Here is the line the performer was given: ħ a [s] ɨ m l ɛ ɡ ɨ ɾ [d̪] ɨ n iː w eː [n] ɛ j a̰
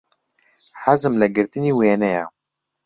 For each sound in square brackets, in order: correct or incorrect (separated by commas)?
incorrect, incorrect, correct